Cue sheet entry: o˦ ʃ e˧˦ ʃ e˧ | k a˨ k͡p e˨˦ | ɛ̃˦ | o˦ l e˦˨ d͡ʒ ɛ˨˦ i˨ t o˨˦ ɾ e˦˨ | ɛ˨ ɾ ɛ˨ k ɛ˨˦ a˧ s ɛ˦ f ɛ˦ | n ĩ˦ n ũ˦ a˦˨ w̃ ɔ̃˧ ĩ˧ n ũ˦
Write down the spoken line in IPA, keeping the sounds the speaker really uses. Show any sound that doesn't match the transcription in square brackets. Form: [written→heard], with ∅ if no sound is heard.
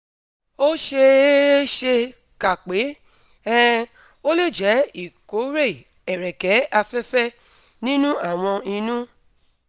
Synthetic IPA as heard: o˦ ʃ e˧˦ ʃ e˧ | k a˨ k͡p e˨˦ | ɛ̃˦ | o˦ l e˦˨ d͡ʒ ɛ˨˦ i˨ [t→k] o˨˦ ɾ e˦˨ | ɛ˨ ɾ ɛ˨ k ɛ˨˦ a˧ [s→f] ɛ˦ f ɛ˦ | n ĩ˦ n ũ˦ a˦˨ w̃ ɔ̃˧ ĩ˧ n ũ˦